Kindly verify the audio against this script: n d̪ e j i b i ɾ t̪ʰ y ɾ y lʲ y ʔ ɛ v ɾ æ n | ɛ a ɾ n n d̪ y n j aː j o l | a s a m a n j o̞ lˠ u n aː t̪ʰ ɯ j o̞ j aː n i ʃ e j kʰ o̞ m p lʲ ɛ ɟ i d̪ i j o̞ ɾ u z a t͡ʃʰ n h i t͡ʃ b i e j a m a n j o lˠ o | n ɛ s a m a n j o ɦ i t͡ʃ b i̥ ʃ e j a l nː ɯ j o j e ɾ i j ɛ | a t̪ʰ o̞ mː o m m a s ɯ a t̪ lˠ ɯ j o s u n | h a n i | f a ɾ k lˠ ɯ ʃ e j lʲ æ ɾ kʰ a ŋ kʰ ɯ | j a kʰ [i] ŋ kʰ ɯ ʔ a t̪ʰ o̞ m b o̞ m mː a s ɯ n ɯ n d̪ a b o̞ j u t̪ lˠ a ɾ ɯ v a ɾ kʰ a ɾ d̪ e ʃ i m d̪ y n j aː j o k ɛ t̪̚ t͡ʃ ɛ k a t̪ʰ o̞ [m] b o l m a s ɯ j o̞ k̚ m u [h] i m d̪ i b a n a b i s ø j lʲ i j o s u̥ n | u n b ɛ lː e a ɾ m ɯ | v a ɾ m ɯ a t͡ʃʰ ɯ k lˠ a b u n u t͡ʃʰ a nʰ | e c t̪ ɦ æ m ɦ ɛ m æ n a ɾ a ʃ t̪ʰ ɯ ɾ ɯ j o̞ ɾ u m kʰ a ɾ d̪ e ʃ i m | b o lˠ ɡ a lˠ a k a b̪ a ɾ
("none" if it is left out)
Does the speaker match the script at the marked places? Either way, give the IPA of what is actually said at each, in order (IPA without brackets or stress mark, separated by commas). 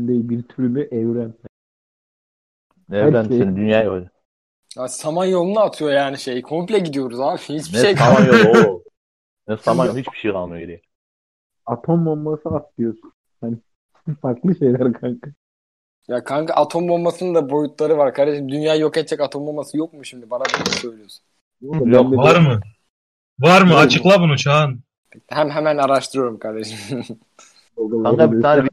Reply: a, m, ʃ